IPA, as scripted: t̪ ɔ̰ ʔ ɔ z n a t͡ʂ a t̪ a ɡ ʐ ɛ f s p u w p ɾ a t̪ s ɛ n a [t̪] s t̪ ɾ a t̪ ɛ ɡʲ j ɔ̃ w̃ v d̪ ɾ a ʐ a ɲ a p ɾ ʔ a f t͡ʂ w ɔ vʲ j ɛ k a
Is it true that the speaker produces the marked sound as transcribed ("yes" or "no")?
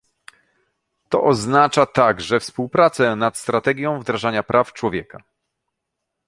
yes